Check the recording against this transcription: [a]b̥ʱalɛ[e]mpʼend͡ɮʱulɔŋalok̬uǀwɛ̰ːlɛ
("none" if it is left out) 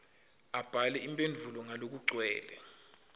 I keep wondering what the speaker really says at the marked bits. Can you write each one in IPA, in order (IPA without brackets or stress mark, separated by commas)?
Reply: a, i